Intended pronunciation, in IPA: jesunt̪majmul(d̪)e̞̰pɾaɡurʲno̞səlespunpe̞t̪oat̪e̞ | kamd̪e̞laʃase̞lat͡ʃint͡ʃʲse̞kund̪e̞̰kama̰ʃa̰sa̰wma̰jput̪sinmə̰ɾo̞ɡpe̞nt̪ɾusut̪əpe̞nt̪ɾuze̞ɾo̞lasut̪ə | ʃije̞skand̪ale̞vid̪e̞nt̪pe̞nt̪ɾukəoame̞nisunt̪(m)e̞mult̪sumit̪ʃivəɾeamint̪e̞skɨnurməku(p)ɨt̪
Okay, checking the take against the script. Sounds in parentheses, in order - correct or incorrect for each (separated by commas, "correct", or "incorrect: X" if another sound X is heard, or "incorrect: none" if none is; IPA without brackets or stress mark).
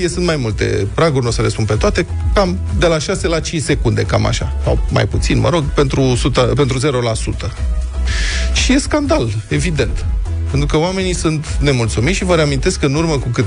incorrect: t̪, incorrect: n, incorrect: k